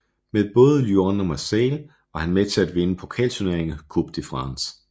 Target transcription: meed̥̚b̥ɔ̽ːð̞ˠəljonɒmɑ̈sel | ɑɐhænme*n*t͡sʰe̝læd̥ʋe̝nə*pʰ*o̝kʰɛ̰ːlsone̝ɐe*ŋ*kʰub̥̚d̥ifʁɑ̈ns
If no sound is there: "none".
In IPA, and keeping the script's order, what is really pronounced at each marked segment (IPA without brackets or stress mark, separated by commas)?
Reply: none, pʰ, ŋ